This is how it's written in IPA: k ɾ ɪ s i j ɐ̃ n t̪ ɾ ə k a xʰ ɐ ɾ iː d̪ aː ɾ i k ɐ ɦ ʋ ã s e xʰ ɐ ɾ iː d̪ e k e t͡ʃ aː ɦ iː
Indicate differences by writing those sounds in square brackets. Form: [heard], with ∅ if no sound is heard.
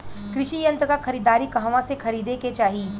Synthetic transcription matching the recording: k ɾ ɪ [ʃ] i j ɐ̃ n t̪ ɾ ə k a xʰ ɐ ɾ iː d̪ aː ɾ i k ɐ ɦ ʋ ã s e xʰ ɐ ɾ iː d̪ e k e t͡ʃ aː ɦ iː